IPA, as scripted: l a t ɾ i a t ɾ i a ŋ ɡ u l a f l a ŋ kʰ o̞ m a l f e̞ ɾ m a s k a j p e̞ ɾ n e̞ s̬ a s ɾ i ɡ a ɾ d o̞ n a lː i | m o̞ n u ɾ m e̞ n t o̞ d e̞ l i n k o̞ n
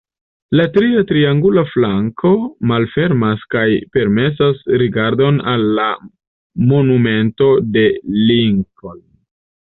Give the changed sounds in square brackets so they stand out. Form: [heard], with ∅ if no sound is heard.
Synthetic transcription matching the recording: l a t ɾ i a t ɾ i a ŋ ɡ u l a f l a ŋ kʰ o̞ m a l f e̞ ɾ m a s k a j p e̞ ɾ [m] e̞ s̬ a s ɾ i ɡ a ɾ d o̞ n a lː [a] | m o̞ n u [∅] m e̞ n t o̞ d e̞ l i [ŋ] k o̞ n